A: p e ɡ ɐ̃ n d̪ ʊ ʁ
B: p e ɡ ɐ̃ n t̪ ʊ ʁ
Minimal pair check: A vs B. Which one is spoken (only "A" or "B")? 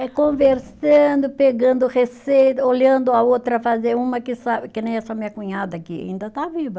A